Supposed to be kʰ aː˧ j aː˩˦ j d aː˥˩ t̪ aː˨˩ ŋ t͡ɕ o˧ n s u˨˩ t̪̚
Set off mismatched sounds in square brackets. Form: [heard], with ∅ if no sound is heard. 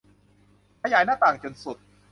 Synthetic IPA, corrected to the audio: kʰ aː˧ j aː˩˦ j [n] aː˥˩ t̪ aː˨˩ ŋ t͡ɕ o˧ n s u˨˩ t̪̚